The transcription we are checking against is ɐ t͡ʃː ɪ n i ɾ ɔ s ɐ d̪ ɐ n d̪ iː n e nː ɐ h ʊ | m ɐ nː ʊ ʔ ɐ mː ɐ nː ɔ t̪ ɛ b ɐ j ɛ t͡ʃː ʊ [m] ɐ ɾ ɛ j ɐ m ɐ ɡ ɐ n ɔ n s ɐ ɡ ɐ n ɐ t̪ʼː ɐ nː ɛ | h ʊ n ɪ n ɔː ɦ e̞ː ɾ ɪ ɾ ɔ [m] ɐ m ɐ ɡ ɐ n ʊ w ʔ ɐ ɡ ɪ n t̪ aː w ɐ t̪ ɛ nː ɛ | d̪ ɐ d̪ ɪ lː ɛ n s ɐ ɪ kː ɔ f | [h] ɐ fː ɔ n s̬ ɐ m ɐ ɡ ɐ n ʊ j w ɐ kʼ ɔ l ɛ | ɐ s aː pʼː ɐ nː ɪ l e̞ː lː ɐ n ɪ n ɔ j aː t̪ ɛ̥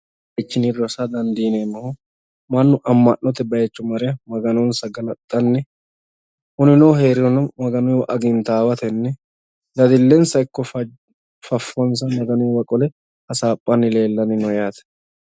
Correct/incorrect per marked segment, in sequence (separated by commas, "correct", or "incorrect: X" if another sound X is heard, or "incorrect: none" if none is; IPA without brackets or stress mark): correct, incorrect: n, incorrect: f